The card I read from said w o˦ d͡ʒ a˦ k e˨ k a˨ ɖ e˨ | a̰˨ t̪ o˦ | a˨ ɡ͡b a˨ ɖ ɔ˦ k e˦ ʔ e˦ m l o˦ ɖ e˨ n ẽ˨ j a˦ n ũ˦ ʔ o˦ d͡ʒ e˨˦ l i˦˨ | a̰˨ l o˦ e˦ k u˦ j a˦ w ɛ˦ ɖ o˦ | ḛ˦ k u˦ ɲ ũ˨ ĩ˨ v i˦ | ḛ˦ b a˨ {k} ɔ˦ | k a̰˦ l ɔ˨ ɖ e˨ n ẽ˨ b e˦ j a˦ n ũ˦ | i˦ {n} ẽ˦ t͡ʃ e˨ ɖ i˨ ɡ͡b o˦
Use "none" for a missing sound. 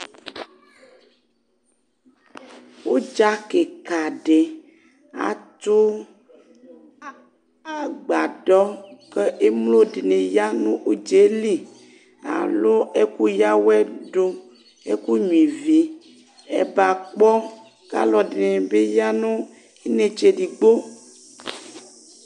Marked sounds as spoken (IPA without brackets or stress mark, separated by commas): k͡p, n